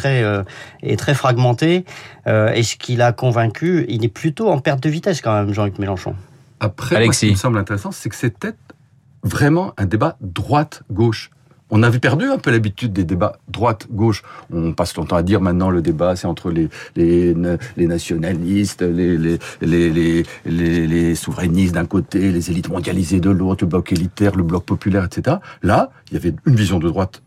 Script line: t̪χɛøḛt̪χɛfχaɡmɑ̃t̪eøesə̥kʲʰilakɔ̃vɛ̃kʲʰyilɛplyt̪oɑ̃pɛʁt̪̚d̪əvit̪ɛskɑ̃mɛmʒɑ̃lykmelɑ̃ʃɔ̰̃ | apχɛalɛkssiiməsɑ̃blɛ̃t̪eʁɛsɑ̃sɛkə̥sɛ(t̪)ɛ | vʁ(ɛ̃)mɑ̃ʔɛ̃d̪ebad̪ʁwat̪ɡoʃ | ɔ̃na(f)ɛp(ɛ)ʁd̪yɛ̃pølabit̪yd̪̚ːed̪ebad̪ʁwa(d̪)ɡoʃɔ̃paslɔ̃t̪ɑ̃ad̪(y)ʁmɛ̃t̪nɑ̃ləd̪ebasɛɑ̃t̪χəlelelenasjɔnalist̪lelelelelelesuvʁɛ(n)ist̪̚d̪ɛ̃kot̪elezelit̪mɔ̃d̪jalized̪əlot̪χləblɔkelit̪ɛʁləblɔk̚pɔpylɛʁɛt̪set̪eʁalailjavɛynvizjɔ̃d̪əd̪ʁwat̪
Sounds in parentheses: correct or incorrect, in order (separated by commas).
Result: correct, incorrect, incorrect, correct, incorrect, incorrect, correct